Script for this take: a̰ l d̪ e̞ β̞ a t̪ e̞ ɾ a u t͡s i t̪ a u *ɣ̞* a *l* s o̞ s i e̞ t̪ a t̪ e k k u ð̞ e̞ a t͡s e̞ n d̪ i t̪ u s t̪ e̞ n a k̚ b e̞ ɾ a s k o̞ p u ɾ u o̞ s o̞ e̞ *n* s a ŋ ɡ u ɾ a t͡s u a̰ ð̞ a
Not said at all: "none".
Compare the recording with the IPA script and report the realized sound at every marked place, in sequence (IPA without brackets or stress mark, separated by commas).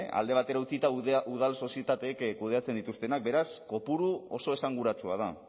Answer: ð̞, l, none